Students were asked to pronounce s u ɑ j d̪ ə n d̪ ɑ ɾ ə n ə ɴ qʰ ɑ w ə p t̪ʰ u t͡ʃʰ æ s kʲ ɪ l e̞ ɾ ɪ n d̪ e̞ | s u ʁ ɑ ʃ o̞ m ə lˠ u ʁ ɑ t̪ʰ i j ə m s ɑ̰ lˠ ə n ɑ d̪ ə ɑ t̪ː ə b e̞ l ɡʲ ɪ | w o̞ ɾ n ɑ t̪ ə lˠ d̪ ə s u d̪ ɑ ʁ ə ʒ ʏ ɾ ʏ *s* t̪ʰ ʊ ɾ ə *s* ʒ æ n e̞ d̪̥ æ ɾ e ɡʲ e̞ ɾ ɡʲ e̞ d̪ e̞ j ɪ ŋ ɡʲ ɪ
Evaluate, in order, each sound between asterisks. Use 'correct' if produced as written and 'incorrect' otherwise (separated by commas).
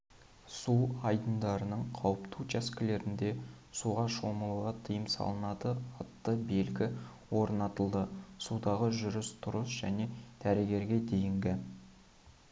correct, correct